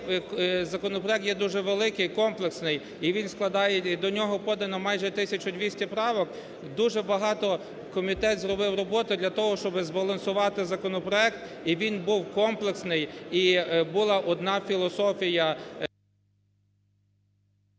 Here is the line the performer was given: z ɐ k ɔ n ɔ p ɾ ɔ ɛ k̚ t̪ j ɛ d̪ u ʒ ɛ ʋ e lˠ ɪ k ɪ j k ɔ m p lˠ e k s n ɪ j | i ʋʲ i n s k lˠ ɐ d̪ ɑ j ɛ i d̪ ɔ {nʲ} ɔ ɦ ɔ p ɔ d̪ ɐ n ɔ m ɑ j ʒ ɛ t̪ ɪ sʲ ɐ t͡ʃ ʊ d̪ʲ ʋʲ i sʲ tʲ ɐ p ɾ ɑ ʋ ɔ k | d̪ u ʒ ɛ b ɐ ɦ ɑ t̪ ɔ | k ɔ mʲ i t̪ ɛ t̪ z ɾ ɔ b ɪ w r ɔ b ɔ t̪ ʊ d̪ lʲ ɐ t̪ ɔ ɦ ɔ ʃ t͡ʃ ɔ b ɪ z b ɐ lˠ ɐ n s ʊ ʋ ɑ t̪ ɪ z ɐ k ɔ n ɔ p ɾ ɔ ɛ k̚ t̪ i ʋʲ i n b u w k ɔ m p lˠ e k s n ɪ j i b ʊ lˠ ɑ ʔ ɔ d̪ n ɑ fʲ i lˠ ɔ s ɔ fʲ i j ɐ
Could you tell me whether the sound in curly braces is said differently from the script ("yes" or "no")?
no